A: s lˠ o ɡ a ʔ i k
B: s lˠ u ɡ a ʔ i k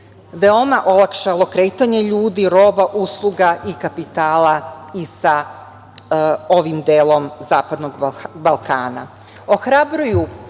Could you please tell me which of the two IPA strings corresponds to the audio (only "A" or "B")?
B